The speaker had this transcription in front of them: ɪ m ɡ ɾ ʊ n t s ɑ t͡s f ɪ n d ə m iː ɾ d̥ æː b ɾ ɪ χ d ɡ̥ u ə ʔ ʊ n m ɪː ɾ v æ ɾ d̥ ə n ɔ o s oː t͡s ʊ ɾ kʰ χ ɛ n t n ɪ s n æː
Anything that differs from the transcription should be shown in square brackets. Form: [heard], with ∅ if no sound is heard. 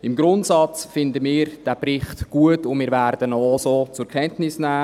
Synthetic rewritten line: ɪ m ɡ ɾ ʊ n t s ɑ t͡s f ɪ n d ə m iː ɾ d̥ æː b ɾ ɪ χ [t] ɡ̥ u ə [t] ʊ n m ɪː ɾ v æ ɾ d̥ ə n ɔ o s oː t͡s ʊ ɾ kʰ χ ɛ n t n ɪ s n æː